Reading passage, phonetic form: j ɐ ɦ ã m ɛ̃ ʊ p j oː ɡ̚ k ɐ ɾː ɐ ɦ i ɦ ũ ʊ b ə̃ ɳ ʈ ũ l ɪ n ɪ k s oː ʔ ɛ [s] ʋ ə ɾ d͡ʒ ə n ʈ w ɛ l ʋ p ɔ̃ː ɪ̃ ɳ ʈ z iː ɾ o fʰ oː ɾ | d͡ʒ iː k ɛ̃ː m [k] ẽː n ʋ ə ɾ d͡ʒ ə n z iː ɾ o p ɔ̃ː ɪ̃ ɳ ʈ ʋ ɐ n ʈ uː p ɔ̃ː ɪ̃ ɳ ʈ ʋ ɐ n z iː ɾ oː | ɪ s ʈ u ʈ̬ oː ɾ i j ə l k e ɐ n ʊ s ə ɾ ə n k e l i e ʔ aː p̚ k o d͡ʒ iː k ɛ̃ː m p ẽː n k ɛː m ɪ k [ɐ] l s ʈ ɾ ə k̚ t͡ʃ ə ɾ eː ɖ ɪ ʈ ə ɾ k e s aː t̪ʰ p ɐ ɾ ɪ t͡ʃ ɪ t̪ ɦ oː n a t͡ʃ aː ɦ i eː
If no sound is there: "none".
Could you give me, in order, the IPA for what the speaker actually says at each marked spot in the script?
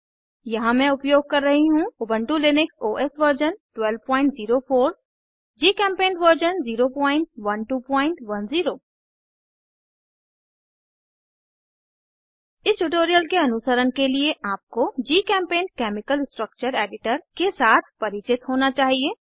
s, p, ə

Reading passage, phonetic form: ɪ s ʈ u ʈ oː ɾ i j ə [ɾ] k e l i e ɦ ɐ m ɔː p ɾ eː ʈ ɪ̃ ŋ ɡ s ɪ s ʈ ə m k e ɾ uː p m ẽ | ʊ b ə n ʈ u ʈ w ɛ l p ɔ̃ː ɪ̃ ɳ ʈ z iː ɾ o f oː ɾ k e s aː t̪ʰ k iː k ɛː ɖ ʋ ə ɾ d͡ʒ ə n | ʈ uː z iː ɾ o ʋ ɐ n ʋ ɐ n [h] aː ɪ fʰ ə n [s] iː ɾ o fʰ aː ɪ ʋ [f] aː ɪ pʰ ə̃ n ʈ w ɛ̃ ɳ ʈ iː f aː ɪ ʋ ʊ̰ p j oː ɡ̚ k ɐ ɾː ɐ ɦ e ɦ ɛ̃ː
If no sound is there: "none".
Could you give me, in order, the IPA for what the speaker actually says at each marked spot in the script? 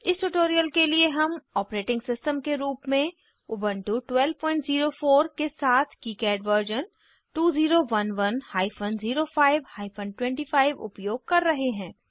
l, h, z, h

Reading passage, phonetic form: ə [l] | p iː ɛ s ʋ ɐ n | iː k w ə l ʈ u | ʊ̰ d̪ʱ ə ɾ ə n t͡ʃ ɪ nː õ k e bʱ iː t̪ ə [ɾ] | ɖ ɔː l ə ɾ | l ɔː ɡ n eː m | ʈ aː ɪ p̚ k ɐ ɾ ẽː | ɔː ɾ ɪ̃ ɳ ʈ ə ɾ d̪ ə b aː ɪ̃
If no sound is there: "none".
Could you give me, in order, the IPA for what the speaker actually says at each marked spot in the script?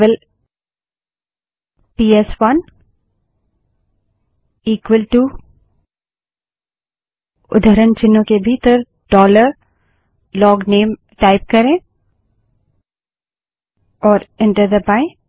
l, ɾ

